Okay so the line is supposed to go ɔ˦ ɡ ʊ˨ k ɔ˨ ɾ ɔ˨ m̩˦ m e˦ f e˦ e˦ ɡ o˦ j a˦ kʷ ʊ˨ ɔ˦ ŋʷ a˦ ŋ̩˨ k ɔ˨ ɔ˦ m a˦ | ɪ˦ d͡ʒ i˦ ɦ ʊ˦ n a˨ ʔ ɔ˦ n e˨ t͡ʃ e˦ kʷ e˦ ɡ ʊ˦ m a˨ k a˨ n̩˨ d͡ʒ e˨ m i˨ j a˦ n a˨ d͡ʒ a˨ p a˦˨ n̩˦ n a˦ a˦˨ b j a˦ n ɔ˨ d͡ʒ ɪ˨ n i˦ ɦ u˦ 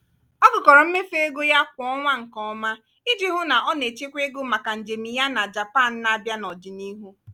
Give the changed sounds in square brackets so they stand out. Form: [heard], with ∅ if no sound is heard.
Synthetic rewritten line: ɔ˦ ɡ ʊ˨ k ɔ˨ ɾ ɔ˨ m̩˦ m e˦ f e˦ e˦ ɡ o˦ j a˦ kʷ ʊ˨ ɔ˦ ŋʷ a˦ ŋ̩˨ k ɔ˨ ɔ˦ m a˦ | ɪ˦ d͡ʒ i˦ ɦ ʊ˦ n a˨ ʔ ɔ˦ n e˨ t͡ʃ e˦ kʷ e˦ ɡ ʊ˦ m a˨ k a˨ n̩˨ d͡ʒ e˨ m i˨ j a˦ n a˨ d͡ʒ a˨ p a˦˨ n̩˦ n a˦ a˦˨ b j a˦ n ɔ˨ d͡ʒ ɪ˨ n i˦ ɦ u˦